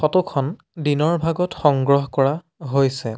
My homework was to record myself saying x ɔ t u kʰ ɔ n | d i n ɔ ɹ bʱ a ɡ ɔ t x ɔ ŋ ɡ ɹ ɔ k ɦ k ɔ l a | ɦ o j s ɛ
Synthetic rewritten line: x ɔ t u kʰ ɔ n | d i n ɔ ɹ bʱ a ɡ ɔ t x ɔ ŋ ɡ ɹ ɔ ɦ k ɔ ɹ a | ɦ o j s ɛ